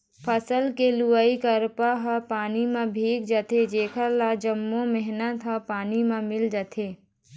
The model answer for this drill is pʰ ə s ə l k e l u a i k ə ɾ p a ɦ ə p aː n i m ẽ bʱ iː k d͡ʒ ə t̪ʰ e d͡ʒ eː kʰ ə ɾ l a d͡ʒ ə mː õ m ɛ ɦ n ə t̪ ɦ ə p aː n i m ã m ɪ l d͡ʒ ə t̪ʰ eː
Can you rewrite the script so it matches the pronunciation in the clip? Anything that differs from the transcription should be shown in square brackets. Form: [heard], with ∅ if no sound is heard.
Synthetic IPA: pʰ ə s ə l k e l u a i k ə ɾ p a ɦ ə p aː n i m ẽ bʱ iː k d͡ʒ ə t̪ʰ e d͡ʒ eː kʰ ə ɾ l a d͡ʒ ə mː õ m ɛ ɦ n ə t̪ ɦ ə p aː n i m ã m ɪ l d͡ʒ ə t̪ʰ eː

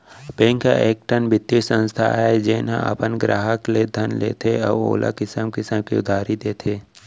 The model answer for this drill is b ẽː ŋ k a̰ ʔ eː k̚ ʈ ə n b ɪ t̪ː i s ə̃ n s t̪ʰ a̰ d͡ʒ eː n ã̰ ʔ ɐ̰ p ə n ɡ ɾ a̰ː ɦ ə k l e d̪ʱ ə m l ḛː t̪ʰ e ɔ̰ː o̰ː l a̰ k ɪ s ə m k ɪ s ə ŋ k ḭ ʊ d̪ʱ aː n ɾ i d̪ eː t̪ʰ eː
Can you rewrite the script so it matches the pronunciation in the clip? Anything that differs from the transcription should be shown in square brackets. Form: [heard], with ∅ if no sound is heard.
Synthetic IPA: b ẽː ŋ k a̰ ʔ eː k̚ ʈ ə n b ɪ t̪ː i s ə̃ n s t̪ʰ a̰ d͡ʒ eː n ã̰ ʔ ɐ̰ p ə n ɡ ɾ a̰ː ɦ ə k l e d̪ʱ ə [n] l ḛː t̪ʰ e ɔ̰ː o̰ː l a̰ k ɪ s ə m k ɪ s ə [m] k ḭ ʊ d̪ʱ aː [∅] ɾ i d̪ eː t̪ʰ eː

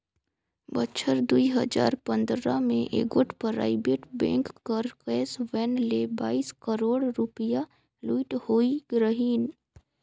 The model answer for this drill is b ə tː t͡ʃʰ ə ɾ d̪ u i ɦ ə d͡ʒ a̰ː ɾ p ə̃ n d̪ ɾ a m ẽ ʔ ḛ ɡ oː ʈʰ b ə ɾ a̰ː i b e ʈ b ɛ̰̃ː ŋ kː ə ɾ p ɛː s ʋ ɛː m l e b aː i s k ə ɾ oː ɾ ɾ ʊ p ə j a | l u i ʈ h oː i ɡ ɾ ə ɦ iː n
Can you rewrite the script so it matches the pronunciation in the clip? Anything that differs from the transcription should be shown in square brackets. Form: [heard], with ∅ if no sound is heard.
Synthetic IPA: b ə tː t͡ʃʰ ə ɾ d̪ u i ɦ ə d͡ʒ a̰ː ɾ p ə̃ n d̪ ɾ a m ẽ ʔ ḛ ɡ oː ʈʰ [p] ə ɾ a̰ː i b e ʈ b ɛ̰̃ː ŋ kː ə ɾ [k] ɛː s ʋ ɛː [n] l e b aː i s k ə ɾ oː [ɽ] ɾ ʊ p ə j a | l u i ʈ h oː i ɡ ɾ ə ɦ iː n

